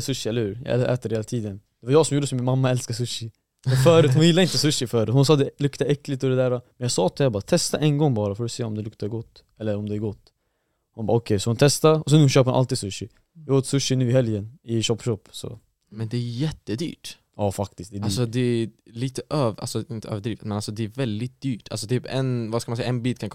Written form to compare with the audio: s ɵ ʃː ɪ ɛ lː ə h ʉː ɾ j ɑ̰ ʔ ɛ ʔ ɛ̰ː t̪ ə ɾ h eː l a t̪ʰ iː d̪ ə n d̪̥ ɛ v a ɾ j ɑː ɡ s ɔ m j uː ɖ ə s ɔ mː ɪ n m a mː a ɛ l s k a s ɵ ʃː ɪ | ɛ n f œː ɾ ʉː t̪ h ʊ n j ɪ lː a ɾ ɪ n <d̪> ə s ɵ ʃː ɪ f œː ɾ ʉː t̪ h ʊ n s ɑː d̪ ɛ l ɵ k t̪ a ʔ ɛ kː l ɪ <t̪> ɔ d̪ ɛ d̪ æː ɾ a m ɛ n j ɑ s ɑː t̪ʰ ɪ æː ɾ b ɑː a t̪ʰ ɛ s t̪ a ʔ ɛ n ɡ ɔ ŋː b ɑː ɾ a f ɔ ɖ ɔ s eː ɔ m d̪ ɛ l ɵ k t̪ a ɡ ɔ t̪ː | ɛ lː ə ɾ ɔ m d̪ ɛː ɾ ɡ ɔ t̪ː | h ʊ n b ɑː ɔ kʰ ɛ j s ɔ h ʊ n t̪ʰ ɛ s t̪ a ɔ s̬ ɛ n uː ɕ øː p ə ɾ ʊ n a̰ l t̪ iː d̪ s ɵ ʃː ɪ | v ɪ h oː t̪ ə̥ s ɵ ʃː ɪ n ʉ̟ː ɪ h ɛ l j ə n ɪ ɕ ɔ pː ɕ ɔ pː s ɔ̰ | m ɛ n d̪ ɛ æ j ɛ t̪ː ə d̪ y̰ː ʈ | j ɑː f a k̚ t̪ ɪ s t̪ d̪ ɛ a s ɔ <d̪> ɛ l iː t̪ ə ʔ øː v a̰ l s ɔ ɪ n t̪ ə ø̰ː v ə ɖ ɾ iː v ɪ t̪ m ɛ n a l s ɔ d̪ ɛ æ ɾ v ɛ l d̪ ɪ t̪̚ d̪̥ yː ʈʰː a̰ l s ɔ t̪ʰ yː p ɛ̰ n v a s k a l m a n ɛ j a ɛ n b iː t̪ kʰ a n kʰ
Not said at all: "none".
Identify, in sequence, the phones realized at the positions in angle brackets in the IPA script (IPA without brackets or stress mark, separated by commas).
t̪, t̪, d̪